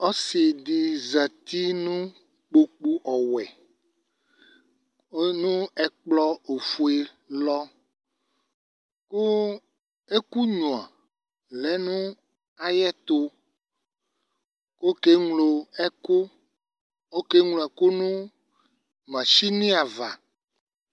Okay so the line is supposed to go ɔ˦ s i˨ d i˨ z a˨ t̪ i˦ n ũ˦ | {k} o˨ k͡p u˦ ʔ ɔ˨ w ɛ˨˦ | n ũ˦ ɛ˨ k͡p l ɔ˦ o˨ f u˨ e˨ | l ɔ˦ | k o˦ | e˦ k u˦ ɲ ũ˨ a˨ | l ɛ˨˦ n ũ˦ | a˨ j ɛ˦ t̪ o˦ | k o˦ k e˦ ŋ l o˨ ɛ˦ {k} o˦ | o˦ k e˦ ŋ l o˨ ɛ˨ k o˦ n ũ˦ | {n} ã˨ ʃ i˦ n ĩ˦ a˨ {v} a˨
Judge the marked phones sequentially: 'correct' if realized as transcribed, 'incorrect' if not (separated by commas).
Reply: incorrect, correct, incorrect, correct